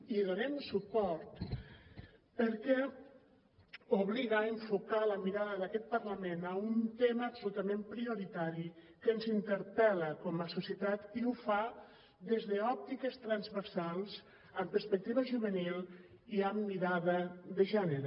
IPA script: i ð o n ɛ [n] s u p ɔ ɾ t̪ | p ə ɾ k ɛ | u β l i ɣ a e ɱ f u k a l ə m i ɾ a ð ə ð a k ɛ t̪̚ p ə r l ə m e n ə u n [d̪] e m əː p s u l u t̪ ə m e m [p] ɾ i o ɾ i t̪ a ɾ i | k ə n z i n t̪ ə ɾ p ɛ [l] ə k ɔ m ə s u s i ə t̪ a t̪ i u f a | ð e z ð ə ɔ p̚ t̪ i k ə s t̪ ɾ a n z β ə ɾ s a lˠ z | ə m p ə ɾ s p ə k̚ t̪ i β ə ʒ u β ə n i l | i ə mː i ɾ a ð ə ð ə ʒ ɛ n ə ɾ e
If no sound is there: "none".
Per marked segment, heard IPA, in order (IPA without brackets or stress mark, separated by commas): m, t̪, p, l